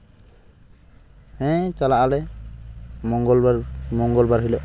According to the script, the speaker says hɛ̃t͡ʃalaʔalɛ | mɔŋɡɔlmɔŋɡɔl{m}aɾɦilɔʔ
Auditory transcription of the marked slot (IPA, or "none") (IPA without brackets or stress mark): b